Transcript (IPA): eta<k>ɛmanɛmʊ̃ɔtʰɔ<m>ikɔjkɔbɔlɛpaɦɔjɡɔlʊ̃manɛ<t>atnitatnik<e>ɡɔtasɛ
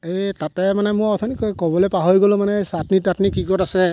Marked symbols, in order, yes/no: no, no, no, no

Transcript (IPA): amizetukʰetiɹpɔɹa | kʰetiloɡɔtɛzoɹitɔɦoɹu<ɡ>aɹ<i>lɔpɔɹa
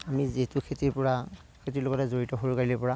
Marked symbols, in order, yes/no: no, yes

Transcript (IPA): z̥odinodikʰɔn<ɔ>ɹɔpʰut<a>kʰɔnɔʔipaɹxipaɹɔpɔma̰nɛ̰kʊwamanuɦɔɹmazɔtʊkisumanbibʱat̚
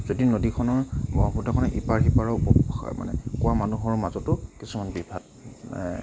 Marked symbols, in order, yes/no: yes, yes

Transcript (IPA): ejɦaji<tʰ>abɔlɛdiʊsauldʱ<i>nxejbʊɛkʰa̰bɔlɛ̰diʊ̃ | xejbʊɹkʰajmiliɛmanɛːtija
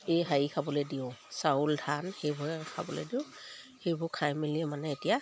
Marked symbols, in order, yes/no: no, no

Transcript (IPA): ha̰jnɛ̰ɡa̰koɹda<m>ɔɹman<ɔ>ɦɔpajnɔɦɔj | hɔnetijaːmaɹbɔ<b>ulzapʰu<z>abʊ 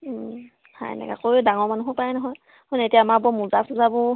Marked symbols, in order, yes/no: no, no, no, yes

